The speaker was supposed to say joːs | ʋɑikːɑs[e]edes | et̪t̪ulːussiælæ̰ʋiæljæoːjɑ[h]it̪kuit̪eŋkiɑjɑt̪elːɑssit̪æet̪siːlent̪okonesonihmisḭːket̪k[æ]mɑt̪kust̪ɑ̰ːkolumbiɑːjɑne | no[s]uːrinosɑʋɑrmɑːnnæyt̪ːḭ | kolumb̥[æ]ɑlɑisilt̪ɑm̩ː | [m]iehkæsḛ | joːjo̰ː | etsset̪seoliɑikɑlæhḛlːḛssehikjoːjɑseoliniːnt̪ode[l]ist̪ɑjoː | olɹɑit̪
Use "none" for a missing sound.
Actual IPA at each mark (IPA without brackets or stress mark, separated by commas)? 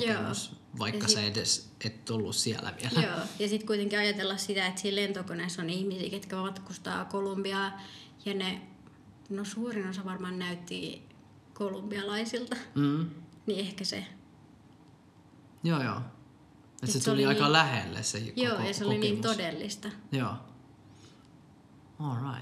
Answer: e, s, æ, s, i, n, lː